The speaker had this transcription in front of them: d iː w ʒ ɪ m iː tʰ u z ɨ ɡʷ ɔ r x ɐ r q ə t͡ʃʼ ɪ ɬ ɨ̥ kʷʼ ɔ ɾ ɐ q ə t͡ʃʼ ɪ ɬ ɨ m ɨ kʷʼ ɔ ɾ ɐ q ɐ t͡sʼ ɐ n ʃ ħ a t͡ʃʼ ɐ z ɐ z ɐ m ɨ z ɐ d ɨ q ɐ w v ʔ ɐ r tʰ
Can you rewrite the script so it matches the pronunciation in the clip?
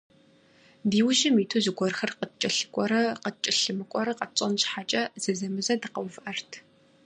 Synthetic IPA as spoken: d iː w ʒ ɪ m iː tʰ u z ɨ ɡʷ ɔ r x ɐ r q ə t͡ʃʼ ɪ ɬ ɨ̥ kʷʼ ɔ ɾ ɐ q ə t͡ʃʼ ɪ ɬ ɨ m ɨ kʷʼ ɔ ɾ ɐ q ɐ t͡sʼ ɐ n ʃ ħ a t͡ʃʼ ɐ z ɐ z ɐ m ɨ z ɐ d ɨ q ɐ w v ʔ ɐ r tʰ

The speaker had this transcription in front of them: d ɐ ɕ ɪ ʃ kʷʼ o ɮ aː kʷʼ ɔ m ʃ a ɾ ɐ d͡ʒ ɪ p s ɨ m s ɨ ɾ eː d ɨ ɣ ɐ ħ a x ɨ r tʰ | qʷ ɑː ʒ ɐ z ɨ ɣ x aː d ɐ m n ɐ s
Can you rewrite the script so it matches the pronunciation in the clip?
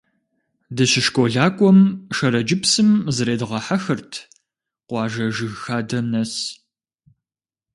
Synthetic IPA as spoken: d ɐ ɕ ɪ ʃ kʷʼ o ɮ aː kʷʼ ɔ m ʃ ɐ ɾ ɐ d͡ʒ ɪ p s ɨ m z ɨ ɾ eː d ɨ ʁ ɐ ħ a x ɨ r tʰ | qʷ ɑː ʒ ɐ ʒ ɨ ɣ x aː d ɐ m n ɐ s

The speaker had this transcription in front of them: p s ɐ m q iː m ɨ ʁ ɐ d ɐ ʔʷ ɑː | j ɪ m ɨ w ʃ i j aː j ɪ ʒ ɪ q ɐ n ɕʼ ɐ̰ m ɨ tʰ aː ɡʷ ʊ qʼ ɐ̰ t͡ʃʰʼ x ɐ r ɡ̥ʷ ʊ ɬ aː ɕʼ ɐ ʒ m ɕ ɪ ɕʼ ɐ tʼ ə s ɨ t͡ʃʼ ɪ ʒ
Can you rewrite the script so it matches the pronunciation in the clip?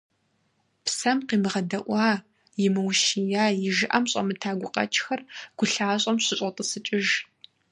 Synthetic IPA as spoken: p s ɐ m q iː m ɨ ʁ ɐ d ɐ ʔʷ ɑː | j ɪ m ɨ w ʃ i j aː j ɪ ʒ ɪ ʔ ɐ m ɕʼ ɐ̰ m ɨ tʰ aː ɡʷ ʊ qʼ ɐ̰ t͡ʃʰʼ x ɐ r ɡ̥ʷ ʊ ɬ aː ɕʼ ɐ m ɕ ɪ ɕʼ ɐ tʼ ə s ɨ t͡ʃʼ ɪ ʒ

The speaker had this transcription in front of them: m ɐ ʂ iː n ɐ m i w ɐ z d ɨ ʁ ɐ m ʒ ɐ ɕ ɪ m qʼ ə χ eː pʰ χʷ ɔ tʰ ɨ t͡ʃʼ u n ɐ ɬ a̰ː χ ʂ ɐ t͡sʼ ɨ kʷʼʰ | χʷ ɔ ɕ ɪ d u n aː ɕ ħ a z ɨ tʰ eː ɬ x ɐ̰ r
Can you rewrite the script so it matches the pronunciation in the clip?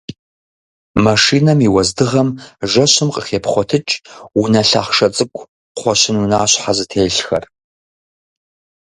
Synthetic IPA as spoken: m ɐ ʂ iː n ɐ m i w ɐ z d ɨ ʁ ɐ m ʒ ɐ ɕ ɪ m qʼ ə χ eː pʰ χʷ ɔ tʰ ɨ t͡ʃʼ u n ɐ ɬ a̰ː χ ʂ ɐ t͡sʼ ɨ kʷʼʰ | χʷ ɔ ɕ ɪ n u n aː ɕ ħ a z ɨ tʰ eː ɬ x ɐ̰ r

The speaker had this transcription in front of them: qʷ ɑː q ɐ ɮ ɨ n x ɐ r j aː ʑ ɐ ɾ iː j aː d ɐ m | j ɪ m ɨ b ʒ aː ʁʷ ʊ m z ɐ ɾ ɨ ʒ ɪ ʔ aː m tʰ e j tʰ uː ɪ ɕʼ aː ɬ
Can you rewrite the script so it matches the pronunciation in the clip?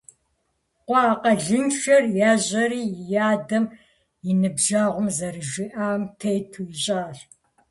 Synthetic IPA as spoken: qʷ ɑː q ɐ ɮ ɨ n ʃ ɐ r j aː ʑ ɐ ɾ iː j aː d ɐ m | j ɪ n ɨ b ʒ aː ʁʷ ʊ m z ɐ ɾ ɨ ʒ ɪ ʔ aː m tʰ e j tʰ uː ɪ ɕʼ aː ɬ

